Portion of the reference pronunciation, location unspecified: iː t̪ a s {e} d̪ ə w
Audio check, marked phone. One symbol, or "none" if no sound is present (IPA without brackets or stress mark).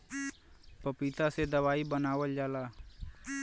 e